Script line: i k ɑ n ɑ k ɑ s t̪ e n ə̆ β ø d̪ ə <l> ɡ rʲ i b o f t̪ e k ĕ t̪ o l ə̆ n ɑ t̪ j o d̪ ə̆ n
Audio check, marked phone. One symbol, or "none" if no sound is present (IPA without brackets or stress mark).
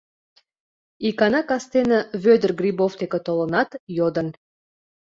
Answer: r